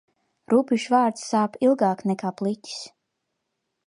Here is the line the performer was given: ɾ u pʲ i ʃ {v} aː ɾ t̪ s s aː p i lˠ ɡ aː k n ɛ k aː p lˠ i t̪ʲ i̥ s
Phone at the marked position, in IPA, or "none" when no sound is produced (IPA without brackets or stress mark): v